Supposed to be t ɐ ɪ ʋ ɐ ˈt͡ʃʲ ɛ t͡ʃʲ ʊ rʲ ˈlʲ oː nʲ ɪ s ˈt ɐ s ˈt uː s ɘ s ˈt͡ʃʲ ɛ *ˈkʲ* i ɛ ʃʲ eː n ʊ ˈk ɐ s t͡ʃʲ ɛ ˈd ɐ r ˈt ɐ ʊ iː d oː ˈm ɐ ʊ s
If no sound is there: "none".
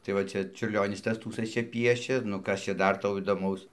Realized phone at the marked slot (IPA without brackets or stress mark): pʲ